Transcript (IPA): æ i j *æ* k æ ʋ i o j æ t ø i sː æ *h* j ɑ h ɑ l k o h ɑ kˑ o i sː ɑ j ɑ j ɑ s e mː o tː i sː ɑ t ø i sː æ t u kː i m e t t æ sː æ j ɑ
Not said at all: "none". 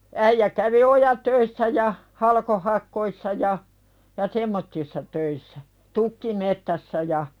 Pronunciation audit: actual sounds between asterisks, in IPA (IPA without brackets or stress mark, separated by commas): æ, none